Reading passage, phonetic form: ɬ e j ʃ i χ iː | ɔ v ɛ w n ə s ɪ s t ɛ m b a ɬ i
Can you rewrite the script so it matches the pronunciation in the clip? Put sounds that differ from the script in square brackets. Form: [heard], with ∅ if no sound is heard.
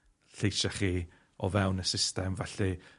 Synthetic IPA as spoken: ɬ e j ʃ [a] χ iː | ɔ v ɛ w n ə s ɪ s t ɛ m [v] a ɬ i